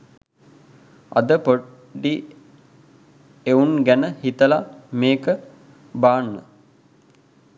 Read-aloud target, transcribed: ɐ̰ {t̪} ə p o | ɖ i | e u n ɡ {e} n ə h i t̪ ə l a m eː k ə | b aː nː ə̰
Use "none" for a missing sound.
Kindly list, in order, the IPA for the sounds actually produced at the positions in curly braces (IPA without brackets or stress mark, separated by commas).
d̪, æ